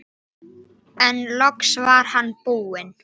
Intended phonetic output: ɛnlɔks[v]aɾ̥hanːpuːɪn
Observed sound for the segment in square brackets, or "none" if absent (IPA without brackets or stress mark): v